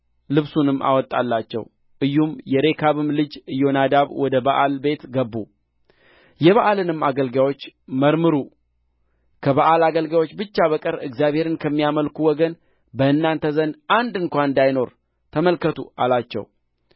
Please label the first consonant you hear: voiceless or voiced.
voiced